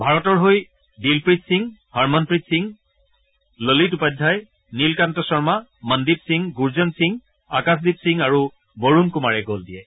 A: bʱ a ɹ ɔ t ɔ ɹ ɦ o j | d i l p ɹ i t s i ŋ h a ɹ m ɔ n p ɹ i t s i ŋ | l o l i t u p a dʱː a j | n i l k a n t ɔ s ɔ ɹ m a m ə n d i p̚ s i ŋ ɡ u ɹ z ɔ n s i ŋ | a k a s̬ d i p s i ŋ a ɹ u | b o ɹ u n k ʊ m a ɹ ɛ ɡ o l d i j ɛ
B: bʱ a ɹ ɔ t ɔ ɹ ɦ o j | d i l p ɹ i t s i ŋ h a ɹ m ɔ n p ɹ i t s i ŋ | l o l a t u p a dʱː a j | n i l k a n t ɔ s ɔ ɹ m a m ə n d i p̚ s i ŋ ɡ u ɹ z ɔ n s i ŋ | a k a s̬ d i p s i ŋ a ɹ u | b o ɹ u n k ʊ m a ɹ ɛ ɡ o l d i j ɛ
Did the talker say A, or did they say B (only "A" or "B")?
A